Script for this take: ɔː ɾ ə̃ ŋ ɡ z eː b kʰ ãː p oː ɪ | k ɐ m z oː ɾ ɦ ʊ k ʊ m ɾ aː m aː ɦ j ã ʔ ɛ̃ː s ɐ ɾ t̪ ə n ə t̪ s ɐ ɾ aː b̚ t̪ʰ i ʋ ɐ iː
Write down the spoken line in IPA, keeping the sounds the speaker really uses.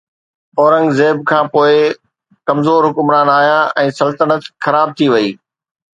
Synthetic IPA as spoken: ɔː ɾ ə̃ ŋ ɡ z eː b kʰ ãː p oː ɪ | k ɐ m z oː ɾ ɦ ʊ k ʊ m ɾ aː n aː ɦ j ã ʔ ɛ̃ː s ɐ l t̪ ə n ə t̪ x ɐ ɾ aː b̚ t̪ʰ i ʋ ɐ iː